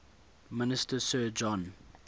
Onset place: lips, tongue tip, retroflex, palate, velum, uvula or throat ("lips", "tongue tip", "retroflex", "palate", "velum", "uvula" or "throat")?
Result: lips